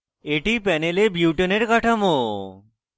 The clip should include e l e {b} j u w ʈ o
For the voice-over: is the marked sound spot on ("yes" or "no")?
yes